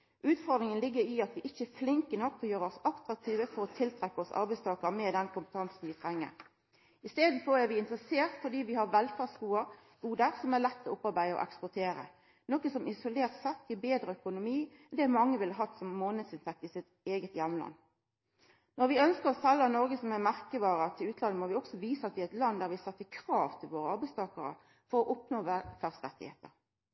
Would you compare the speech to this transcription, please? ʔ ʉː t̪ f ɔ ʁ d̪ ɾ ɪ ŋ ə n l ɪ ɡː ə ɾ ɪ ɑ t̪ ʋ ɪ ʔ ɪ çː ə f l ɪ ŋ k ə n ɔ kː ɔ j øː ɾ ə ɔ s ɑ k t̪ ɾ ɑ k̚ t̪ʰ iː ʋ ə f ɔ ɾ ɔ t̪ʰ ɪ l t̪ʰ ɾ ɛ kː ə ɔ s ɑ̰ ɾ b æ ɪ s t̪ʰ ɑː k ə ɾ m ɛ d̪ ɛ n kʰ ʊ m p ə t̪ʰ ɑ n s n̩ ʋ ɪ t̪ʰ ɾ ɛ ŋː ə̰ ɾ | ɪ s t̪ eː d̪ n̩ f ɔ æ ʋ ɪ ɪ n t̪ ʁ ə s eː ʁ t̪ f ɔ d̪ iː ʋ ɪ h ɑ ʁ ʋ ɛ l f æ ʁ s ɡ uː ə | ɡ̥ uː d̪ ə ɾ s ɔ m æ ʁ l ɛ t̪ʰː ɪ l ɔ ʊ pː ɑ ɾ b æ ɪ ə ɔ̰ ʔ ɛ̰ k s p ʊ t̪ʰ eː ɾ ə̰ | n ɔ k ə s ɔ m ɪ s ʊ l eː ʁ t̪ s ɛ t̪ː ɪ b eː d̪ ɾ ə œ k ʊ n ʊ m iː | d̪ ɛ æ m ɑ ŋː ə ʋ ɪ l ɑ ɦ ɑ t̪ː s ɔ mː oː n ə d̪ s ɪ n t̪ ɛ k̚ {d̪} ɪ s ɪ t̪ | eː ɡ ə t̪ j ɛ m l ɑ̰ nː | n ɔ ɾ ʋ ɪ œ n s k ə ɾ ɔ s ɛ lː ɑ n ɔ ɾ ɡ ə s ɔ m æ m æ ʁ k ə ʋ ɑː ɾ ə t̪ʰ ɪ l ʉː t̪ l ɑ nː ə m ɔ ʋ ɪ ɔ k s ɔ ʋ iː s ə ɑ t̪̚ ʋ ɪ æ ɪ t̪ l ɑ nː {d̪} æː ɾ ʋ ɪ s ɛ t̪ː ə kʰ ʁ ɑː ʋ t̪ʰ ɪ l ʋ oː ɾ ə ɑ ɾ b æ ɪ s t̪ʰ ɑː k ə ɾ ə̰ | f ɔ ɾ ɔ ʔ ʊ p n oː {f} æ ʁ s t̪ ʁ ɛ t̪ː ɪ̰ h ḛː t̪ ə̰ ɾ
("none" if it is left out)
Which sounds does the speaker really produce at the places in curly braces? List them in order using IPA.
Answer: t̪, d̪, f

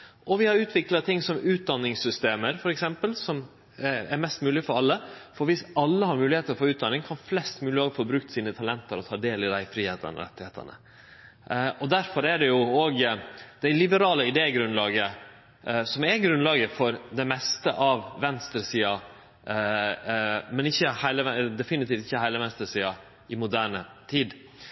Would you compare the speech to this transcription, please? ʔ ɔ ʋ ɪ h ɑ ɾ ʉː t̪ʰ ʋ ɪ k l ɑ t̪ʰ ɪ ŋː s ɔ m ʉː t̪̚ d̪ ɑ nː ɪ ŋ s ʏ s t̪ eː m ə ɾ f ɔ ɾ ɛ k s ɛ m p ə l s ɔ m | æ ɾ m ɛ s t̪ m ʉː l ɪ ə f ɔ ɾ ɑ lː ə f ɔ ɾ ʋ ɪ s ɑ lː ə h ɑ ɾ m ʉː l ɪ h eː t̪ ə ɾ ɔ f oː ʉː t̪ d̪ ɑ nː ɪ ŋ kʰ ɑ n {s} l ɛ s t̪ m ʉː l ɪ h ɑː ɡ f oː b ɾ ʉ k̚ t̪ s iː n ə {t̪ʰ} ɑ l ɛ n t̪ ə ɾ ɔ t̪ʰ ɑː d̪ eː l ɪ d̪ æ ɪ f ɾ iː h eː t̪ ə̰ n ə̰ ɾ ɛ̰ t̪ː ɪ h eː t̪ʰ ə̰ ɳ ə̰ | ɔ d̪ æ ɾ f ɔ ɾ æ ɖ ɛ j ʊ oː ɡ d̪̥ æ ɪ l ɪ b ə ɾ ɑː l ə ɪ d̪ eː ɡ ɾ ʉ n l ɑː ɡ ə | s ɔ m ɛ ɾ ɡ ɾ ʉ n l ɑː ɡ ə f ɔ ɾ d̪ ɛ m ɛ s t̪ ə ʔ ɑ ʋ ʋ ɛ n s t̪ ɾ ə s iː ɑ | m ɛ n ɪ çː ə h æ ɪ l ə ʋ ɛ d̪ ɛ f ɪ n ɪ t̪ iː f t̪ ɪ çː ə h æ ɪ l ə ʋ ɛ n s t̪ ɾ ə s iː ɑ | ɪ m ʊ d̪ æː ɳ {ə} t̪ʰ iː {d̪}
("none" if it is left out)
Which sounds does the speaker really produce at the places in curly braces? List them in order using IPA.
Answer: f, t̪ʰ, ə, d̪

